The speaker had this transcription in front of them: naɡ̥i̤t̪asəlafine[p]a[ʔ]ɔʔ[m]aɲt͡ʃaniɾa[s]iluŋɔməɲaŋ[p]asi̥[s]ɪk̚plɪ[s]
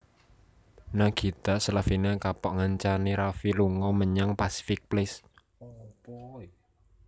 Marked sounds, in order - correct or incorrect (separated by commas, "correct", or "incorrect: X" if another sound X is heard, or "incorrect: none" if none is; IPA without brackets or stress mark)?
incorrect: k, incorrect: p, incorrect: ŋ, incorrect: f, correct, incorrect: f, correct